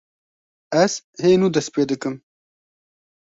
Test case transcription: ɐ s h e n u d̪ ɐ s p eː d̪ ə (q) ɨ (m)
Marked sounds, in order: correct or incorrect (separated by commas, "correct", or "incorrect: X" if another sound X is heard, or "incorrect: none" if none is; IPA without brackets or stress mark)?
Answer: incorrect: k, correct